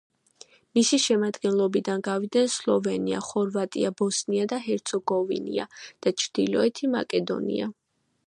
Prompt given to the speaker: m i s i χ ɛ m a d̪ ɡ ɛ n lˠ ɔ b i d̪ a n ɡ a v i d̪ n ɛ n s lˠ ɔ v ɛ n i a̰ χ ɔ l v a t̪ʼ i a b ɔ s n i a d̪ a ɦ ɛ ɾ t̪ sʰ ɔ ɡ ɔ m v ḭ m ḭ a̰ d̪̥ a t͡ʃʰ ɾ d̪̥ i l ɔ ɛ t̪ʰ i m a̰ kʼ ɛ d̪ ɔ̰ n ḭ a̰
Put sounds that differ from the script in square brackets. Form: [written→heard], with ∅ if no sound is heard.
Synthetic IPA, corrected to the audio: m i s i [χ→ʃ] ɛ m a d̪ ɡ ɛ n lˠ ɔ b i d̪ a n ɡ a v i d̪ n ɛ n s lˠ ɔ v ɛ n i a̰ χ ɔ [l→ɾ] v a t̪ʼ i a b ɔ s n i a d̪ a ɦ ɛ ɾ t̪ sʰ ɔ ɡ ɔ [m→∅] v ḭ [m→n] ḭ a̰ d̪̥ a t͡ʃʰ ɾ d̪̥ i l ɔ ɛ t̪ʰ i m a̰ kʼ ɛ d̪ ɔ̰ n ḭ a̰

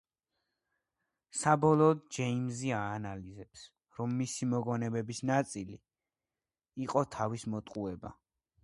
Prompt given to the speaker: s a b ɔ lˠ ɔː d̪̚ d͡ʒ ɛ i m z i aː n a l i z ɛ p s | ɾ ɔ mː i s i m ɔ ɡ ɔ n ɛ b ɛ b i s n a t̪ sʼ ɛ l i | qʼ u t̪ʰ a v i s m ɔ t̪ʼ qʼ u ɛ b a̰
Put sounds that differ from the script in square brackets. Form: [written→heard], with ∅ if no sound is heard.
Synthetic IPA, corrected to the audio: s a b ɔ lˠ ɔː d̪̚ d͡ʒ ɛ i m z i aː n a l i z ɛ p s | ɾ ɔ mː i s i m ɔ ɡ ɔ n ɛ b ɛ b i s n a t̪ sʼ [ɛ→i] l i | qʼ [u→ɔ] t̪ʰ a v i s m ɔ t̪ʼ qʼ u ɛ b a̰

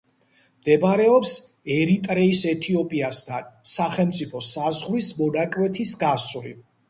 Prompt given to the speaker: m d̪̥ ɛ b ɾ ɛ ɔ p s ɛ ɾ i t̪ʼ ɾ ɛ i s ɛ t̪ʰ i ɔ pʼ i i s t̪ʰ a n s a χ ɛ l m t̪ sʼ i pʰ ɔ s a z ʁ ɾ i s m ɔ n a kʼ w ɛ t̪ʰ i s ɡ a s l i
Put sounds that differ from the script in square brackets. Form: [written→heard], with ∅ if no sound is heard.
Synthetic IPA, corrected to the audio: m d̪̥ ɛ b ɾ ɛ ɔ p s ɛ ɾ i t̪ʼ ɾ ɛ i s ɛ t̪ʰ i ɔ pʼ i [i→a] s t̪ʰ a n s a χ ɛ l m t̪ sʼ i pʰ ɔ s a z ʁ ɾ i s m ɔ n a kʼ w ɛ t̪ʰ i s ɡ a s l i

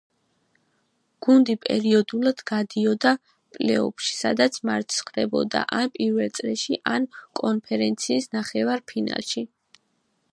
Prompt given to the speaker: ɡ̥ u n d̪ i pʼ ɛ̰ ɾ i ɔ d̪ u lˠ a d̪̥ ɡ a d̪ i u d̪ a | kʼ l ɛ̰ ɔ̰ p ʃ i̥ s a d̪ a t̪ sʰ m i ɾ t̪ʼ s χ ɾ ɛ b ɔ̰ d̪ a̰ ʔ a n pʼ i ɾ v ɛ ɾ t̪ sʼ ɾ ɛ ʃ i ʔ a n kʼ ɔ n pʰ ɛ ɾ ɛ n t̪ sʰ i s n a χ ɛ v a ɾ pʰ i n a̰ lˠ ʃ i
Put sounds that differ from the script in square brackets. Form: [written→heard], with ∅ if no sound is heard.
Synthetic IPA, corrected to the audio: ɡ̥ u n d̪ i pʼ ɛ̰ ɾ i ɔ d̪ u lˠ a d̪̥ ɡ a d̪ i [u→ɔ] d̪ a | [kʼ→pʼ] l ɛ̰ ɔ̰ p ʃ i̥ s a d̪ a t̪ sʰ m [i→a] ɾ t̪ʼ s χ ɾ ɛ b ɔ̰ d̪ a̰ ʔ a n pʼ i ɾ v ɛ [ɾ→l] t̪ sʼ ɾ ɛ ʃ i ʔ a n kʼ ɔ n pʰ ɛ ɾ ɛ n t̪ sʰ [i→iː] s n a χ ɛ v a ɾ pʰ i n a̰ lˠ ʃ i

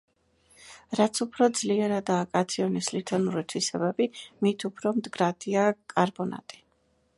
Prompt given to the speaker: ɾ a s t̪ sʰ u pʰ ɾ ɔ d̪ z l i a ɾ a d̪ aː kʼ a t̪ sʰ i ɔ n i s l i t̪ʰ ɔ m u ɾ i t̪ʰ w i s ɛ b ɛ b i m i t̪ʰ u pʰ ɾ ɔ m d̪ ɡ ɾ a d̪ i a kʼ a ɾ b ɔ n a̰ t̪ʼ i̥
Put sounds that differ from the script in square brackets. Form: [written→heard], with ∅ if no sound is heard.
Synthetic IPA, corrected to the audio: ɾ a [s→∅] t̪ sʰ u pʰ ɾ ɔ d̪ z l i [a→ɛ] ɾ a d̪ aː kʼ a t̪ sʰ i ɔ n i s l i t̪ʰ ɔ [m→n] u ɾ i t̪ʰ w i s ɛ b ɛ b i m i t̪ʰ u pʰ ɾ ɔ m d̪ ɡ ɾ a d̪ i a kʼ a ɾ b ɔ n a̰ t̪ʼ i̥

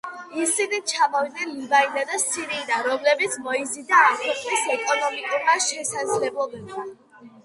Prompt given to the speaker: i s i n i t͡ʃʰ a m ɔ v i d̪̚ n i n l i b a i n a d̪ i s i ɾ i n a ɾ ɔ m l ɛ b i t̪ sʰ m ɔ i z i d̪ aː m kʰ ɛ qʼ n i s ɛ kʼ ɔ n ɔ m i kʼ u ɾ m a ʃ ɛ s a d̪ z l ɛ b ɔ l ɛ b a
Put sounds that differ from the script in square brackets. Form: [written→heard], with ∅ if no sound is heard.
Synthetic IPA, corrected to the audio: i s i n i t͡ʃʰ a m ɔ v i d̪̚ n [i→ɛ] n l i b a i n a d̪ [i→a] s i ɾ i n a ɾ ɔ m l ɛ b i t̪ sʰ m ɔ i z i d̪ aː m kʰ ɛ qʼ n i s ɛ kʼ ɔ n ɔ m i kʼ u ɾ m a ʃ ɛ s a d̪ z l ɛ b ɔ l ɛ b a

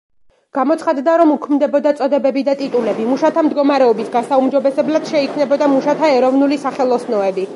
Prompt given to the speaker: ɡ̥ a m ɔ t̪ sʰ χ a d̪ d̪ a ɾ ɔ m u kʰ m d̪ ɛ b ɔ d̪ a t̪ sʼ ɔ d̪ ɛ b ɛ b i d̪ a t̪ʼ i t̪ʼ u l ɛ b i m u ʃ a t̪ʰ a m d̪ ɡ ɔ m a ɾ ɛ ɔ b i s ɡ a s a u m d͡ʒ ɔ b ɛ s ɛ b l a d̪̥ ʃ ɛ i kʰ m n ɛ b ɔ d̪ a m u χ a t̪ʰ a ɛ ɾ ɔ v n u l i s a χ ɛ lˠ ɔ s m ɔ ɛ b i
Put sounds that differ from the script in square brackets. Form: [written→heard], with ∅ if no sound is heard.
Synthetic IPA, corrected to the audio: ɡ̥ a m ɔ t̪ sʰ χ a d̪ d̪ a ɾ ɔ m u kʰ m d̪ ɛ b ɔ d̪ a t̪ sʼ ɔ d̪ ɛ b ɛ b i d̪ a t̪ʼ i t̪ʼ u l ɛ b i m u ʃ a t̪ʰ a m d̪ ɡ ɔ m a ɾ ɛ ɔ b i s ɡ a s a u m d͡ʒ ɔ b ɛ s ɛ b l a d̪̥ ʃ ɛ i kʰ m n ɛ b ɔ d̪ a m u [χ→ʃ] a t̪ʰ a ɛ ɾ ɔ v n u l i s a χ ɛ lˠ ɔ s [m→n] ɔ ɛ b i

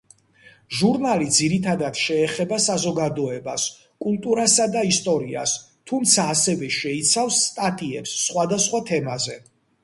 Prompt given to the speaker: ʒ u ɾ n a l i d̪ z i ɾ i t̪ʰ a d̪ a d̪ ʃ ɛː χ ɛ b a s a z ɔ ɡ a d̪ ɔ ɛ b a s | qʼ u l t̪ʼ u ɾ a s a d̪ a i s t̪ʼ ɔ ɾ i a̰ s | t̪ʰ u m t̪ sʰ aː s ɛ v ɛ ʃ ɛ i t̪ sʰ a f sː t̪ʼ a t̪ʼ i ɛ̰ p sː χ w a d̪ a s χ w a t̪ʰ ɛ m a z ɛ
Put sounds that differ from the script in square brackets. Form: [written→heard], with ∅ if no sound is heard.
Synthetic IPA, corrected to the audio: ʒ u ɾ n a l i d̪ z i ɾ i t̪ʰ a d̪ a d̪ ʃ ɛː χ ɛ b a s a z ɔ ɡ a d̪ ɔ ɛ b a s | [qʼ→kʼ] u l t̪ʼ u ɾ a s a d̪ a i s t̪ʼ ɔ ɾ i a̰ s | t̪ʰ u m t̪ sʰ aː s ɛ v ɛ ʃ ɛ i t̪ sʰ a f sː t̪ʼ a t̪ʼ i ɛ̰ p sː χ w a d̪ a s χ w a t̪ʰ ɛ m a z ɛ

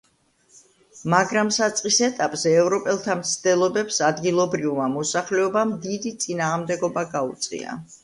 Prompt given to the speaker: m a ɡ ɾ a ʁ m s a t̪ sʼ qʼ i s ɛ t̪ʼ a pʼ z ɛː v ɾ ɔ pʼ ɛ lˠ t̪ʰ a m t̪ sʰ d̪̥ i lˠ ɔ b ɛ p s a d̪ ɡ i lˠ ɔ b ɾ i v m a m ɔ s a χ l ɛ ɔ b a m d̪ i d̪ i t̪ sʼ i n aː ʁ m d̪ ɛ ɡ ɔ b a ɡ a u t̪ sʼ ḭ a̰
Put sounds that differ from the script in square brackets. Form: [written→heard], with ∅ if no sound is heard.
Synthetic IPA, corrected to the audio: m a ɡ ɾ a [ʁ→∅] m s a t̪ sʼ qʼ i s ɛ t̪ʼ a pʼ z ɛː v ɾ ɔ pʼ ɛ lˠ t̪ʰ a m t̪ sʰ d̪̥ [i→ɛ] lˠ ɔ b ɛ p s a d̪ ɡ i lˠ ɔ b ɾ i v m a m ɔ s a χ l ɛ ɔ b a m d̪ i d̪ i t̪ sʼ i n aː ʁ m d̪ ɛ ɡ ɔ b a ɡ a u t̪ sʼ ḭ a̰

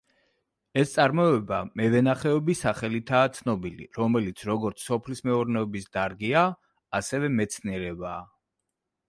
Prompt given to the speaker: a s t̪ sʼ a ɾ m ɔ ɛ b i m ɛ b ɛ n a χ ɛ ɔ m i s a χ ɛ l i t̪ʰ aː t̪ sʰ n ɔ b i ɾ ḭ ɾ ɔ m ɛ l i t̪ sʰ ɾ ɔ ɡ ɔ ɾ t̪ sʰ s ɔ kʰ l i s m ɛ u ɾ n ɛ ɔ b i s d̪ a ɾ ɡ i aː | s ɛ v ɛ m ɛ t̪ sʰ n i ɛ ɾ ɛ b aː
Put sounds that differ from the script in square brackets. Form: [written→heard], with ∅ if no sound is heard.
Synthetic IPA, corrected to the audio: [a→ɛ] s t̪ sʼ a ɾ m ɔ ɛ b [i→a] m ɛ [b→v] ɛ n a χ ɛ ɔ [m→b] i s a χ ɛ l i t̪ʰ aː t̪ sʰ n ɔ b i [ɾ→l] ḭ ɾ ɔ m ɛ l i t̪ sʰ ɾ ɔ ɡ ɔ ɾ t̪ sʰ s ɔ [kʰ→pʰ] l i s m ɛ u ɾ n ɛ ɔ b i s d̪ a ɾ ɡ i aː | s ɛ v ɛ m ɛ t̪ sʰ n i ɛ ɾ ɛ b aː

